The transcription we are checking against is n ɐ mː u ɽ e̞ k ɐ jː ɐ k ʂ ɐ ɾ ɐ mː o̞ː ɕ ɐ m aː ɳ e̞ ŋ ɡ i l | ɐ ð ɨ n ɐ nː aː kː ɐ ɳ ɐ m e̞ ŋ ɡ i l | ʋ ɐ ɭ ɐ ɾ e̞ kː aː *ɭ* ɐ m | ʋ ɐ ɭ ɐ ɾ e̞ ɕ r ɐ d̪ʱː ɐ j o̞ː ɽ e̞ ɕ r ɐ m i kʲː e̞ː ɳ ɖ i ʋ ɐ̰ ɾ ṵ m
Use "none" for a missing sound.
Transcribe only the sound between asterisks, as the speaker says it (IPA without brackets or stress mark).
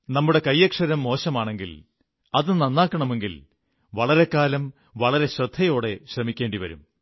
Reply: l